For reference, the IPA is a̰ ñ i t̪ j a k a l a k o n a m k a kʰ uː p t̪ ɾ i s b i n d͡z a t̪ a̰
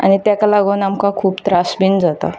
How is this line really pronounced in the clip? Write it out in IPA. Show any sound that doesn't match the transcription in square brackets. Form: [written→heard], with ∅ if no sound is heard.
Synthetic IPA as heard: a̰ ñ i t̪ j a k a l a [k→ɡ] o n a m k a kʰ uː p t̪ ɾ [i→a] s b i n d͡z a t̪ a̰